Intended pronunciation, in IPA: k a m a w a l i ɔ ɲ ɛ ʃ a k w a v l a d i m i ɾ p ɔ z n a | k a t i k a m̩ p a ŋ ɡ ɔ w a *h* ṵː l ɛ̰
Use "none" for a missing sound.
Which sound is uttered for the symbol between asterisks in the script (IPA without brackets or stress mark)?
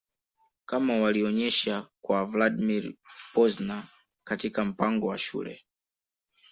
ʃ